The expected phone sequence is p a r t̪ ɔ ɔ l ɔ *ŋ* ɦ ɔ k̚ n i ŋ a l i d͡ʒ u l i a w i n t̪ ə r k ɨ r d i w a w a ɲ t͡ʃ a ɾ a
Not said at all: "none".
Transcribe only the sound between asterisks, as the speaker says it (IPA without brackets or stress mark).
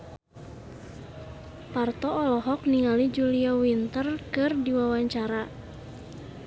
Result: none